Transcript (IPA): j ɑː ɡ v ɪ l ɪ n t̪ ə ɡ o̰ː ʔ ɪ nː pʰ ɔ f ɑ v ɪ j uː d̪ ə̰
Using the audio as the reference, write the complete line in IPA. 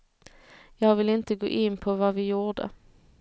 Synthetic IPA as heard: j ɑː ɡ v ɪ l ɪ n t̪ ə ɡ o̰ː ʔ ɪ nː pʰ ɔ v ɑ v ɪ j uː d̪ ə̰